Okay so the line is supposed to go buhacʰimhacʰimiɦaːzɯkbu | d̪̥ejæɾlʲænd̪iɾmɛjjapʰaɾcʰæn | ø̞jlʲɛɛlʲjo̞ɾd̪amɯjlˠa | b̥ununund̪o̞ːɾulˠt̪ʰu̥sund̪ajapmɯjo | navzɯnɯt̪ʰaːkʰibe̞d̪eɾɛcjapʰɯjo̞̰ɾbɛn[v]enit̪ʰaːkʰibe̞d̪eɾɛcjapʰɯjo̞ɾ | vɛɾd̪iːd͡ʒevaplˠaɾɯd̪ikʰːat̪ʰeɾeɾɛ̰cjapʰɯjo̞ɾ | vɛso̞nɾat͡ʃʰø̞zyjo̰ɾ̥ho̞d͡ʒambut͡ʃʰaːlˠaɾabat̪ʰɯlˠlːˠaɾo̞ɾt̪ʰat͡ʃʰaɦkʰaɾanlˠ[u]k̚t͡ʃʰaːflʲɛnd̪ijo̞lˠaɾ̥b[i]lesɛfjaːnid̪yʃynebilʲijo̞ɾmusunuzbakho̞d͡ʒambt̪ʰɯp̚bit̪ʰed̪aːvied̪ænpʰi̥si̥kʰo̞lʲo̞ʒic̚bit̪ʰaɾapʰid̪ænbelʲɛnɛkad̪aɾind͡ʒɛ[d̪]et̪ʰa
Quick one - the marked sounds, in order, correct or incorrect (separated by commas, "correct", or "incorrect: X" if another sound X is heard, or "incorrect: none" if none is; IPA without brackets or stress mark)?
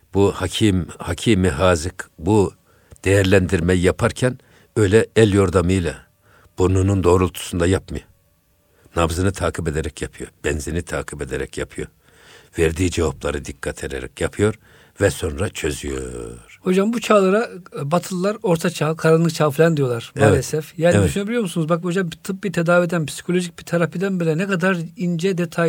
incorrect: z, incorrect: ɯ, incorrect: a, correct